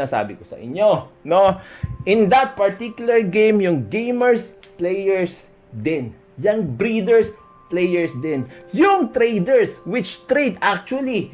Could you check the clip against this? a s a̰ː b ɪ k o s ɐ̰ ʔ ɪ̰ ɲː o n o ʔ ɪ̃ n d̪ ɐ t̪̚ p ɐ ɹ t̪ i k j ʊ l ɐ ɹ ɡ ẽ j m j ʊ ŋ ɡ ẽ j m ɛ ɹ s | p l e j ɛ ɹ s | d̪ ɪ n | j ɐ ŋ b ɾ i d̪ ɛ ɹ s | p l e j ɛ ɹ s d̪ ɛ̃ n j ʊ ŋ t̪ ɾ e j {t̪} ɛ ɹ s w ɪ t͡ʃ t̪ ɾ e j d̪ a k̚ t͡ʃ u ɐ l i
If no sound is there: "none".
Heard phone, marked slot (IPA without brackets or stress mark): d̪